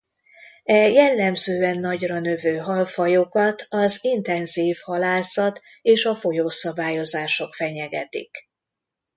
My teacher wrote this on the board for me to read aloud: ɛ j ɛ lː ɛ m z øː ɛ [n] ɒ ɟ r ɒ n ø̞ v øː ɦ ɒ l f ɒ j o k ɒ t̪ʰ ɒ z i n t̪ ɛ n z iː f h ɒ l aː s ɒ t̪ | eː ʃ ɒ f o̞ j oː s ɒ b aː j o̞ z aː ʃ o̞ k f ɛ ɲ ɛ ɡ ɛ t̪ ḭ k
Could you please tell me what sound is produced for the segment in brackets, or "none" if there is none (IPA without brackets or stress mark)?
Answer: nː